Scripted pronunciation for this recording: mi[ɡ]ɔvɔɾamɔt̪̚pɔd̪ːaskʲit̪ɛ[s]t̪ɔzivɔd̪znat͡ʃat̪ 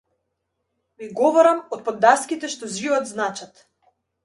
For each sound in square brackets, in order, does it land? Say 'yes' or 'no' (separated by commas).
yes, no